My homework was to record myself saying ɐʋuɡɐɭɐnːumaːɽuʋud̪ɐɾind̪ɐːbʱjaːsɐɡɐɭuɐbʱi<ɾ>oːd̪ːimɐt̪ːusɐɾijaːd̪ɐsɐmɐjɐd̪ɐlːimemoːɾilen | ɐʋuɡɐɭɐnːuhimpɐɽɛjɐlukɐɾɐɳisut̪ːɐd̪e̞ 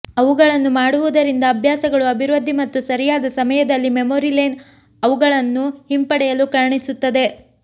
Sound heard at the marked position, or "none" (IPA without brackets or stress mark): ɾ